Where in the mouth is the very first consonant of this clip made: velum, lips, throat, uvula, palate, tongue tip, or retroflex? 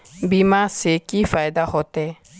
lips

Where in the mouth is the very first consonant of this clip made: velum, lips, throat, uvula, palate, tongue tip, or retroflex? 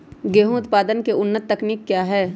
velum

